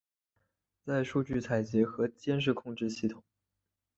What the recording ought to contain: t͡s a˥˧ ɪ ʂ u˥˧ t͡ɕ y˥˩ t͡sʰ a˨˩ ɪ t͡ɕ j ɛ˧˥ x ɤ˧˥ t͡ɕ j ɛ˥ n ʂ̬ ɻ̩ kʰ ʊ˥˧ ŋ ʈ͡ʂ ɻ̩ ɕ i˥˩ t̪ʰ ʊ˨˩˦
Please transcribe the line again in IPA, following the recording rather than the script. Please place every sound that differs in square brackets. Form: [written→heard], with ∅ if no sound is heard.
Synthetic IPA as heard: t͡s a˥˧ ɪ ʂ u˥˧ t͡ɕ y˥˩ t͡sʰ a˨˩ ɪ t͡ɕ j ɛ˧˥ x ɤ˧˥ t͡ɕ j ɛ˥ n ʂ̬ ɻ̩ kʰ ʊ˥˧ ŋ ʈ͡ʂ ɻ̩ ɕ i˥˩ t̪ʰ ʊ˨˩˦